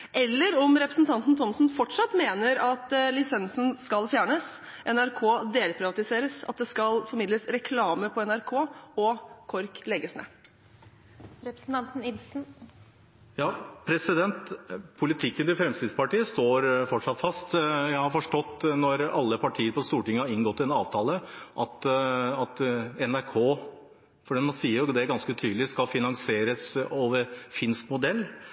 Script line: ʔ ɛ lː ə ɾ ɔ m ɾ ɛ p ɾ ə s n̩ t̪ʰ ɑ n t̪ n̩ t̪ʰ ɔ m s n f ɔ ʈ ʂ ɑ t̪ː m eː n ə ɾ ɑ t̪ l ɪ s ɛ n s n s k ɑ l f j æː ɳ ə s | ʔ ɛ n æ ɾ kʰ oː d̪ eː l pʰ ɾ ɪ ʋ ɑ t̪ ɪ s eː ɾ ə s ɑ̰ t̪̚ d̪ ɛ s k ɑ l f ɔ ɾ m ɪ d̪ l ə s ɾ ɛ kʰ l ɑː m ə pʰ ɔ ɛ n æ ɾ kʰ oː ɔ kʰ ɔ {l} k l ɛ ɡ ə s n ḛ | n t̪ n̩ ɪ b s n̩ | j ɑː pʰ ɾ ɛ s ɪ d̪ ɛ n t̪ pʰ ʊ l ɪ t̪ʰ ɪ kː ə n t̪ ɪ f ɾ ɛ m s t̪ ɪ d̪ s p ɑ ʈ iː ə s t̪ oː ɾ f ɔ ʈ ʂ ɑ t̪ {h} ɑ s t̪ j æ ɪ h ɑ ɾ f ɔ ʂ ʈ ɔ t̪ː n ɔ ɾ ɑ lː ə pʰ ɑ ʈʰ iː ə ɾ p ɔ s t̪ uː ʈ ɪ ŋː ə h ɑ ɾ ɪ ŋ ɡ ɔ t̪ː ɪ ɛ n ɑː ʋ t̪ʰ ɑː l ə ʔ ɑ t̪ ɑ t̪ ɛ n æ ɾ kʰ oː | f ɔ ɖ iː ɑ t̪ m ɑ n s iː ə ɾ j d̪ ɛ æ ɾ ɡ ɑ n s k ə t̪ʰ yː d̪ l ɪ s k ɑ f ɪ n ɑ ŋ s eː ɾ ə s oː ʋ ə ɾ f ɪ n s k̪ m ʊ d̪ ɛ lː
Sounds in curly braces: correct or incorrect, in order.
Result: incorrect, incorrect

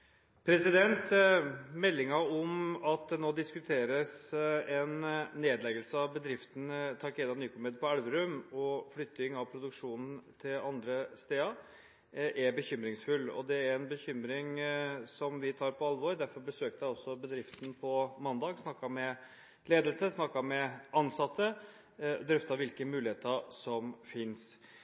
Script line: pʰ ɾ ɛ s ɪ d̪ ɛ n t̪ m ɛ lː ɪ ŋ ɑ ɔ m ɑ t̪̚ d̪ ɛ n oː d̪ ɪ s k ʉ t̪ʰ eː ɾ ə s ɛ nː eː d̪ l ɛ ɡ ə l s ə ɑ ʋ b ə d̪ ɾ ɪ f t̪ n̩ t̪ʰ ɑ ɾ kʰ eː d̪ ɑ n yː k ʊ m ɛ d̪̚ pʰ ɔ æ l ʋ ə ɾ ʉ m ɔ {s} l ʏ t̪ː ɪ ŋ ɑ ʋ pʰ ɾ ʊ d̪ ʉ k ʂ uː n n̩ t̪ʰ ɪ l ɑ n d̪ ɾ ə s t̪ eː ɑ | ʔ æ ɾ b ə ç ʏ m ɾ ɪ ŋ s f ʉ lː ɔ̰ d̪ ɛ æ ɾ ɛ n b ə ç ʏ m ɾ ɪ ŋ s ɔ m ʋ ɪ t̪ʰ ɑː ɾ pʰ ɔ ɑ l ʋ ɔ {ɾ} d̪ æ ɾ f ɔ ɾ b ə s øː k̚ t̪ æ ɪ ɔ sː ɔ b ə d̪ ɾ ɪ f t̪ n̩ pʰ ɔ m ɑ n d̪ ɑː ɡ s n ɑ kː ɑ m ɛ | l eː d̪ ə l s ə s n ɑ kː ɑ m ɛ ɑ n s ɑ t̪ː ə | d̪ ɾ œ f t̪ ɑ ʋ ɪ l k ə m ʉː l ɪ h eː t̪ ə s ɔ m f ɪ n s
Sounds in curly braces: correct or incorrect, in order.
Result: incorrect, correct

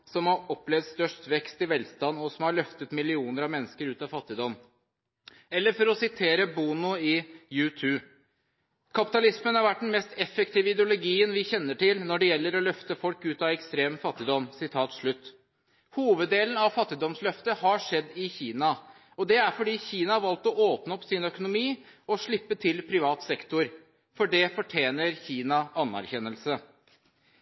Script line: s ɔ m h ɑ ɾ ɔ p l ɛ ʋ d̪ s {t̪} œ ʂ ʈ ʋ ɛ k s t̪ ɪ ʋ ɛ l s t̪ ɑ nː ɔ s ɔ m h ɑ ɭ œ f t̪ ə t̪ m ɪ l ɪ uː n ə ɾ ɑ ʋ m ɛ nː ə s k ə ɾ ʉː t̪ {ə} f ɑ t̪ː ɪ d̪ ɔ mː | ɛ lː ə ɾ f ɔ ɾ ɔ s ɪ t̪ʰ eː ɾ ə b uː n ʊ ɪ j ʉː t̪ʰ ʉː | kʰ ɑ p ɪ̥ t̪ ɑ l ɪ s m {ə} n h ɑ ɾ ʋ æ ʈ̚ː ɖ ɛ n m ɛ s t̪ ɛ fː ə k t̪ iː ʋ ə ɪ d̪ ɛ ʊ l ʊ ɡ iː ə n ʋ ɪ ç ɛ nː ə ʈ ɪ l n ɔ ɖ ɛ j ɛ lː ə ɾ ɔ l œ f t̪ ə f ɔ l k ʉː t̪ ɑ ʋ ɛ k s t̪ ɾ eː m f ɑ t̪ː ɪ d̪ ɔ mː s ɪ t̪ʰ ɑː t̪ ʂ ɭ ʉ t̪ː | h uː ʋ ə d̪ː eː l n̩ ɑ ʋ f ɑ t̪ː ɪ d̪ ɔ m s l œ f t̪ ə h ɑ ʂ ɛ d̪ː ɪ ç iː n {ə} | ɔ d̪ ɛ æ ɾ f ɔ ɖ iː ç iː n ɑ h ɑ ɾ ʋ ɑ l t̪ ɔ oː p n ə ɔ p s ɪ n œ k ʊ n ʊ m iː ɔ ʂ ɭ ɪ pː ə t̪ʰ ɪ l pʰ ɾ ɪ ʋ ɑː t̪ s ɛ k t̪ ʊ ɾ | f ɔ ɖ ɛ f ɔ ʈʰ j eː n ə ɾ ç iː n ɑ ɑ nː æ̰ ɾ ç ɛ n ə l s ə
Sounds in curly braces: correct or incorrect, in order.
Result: correct, incorrect, correct, incorrect

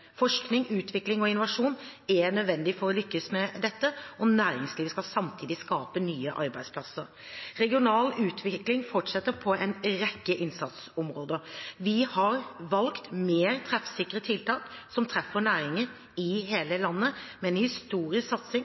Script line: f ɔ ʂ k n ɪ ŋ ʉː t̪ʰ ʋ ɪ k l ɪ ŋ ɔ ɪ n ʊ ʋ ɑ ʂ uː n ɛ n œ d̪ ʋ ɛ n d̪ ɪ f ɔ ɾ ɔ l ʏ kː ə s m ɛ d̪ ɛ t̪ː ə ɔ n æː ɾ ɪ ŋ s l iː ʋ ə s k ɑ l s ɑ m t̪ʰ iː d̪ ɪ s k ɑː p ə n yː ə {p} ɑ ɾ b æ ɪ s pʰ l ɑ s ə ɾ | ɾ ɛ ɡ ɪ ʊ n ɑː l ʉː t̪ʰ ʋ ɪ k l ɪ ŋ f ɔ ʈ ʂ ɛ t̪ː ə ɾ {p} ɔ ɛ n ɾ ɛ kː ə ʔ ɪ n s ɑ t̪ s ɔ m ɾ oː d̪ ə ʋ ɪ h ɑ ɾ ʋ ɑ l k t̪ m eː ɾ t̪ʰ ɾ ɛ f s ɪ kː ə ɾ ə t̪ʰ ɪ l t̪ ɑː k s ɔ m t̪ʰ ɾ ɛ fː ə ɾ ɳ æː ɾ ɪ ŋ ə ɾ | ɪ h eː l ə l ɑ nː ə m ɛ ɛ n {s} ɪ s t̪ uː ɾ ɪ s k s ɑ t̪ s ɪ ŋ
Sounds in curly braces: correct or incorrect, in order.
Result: incorrect, incorrect, incorrect

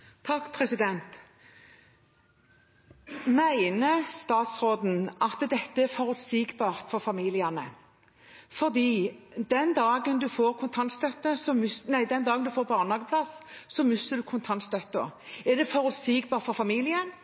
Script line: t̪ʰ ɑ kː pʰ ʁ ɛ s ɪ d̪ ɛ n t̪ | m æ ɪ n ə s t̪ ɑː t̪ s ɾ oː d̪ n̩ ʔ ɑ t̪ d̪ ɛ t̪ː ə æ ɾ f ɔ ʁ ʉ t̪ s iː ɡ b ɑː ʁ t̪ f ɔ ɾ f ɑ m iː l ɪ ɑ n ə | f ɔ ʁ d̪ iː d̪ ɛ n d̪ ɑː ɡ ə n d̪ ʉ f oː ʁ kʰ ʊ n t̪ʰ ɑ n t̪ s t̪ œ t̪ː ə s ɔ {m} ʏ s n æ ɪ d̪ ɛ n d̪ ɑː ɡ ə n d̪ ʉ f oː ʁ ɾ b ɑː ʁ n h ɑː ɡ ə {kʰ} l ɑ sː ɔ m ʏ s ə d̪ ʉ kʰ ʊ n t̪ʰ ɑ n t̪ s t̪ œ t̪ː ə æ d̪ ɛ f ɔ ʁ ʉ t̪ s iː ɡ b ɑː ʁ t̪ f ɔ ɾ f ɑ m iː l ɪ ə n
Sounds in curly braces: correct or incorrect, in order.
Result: correct, incorrect

